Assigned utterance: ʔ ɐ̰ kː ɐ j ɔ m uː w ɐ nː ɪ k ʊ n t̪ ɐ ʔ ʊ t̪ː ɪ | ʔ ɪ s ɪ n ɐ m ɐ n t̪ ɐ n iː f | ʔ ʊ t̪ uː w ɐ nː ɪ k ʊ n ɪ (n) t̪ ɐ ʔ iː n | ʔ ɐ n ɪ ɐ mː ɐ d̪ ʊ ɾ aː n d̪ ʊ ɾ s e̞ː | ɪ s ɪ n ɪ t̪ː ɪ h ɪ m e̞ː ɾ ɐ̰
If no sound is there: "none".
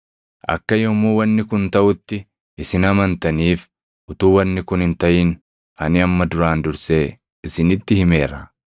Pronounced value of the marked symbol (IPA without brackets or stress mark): n